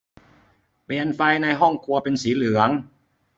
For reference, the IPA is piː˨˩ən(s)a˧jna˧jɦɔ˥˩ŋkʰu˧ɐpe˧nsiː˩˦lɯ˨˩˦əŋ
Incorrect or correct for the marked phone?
incorrect: f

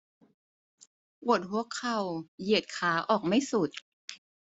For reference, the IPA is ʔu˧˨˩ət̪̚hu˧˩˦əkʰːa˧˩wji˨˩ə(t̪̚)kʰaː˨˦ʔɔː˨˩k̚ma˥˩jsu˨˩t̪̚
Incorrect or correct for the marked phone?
correct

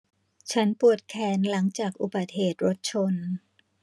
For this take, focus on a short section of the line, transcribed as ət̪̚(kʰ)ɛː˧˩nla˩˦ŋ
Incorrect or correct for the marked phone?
correct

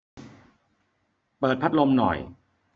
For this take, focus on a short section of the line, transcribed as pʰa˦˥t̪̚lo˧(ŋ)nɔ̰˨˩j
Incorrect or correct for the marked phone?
incorrect: m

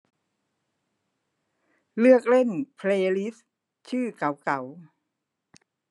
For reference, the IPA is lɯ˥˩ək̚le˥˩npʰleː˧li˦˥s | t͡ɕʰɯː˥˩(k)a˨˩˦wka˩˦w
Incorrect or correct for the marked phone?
correct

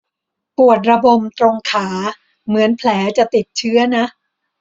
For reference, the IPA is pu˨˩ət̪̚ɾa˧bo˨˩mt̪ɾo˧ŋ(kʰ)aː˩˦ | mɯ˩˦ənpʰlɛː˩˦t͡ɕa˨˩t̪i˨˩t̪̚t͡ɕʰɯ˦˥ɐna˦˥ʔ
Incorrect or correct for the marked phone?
correct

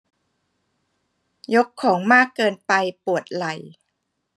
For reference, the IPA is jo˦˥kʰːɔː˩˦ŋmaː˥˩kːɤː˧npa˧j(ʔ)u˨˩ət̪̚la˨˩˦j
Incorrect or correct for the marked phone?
incorrect: p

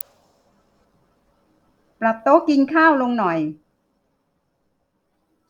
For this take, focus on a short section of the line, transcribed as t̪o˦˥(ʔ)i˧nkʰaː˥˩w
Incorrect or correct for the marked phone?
incorrect: k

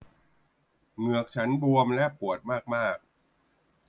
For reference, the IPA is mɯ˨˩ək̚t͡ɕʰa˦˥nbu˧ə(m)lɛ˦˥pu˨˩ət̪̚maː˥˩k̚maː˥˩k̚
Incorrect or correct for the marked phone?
correct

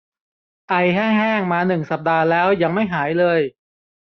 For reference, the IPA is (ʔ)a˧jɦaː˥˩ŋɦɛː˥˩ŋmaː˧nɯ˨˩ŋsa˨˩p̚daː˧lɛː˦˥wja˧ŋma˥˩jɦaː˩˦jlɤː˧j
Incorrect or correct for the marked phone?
correct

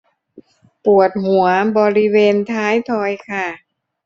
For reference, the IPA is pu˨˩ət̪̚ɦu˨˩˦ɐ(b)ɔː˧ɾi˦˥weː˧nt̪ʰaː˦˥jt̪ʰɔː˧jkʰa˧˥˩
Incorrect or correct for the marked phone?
correct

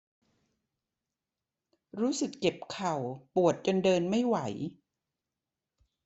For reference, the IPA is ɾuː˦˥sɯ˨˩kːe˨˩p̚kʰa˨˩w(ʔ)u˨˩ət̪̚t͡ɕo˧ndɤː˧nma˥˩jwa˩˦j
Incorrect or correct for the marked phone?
incorrect: p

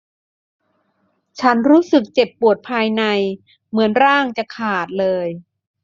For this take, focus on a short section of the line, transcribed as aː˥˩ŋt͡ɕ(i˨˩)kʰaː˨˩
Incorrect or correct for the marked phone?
incorrect: a˨˩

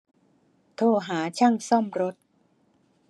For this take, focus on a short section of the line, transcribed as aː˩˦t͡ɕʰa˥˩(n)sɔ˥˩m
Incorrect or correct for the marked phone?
incorrect: ŋ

